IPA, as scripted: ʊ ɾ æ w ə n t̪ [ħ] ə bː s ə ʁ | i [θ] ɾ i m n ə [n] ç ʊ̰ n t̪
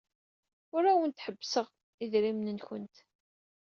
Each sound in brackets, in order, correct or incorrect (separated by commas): correct, incorrect, correct